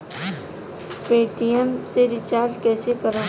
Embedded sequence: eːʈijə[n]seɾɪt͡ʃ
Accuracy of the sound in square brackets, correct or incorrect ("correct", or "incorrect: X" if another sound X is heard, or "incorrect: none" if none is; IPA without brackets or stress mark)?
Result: incorrect: m